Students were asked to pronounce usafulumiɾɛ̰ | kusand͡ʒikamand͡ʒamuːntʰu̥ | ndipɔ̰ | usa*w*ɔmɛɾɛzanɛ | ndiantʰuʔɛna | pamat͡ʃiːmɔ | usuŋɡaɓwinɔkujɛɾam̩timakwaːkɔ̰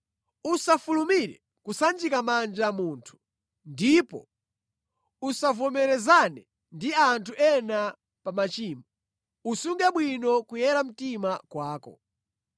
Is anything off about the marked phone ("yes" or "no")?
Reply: yes